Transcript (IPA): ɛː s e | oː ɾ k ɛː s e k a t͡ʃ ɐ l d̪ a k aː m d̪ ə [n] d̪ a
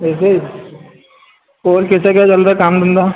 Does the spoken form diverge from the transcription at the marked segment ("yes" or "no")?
no